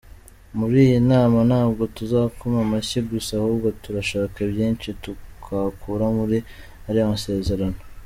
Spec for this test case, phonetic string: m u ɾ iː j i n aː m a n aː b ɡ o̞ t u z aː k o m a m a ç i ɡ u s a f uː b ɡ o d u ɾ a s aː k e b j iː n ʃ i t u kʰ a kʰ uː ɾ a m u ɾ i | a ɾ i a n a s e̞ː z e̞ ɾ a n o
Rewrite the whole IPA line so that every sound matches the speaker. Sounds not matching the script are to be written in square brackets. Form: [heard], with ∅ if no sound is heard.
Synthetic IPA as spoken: m u ɾ iː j i n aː m a n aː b ɡ o̞ t u z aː k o m a m a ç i ɡ u s a [h] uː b ɡ o [t] u ɾ a [ʃ] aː k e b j iː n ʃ i t u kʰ a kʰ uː ɾ a m u ɾ i | a ɾ i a [m] a s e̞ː z e̞ ɾ a n o